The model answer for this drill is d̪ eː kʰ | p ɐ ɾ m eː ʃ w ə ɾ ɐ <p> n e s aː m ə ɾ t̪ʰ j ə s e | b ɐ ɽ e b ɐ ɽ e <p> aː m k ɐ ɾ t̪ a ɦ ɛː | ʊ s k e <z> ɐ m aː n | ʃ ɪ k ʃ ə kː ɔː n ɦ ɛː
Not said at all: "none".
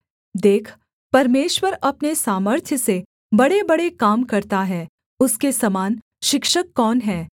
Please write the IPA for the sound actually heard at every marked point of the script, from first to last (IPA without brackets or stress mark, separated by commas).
p, k, s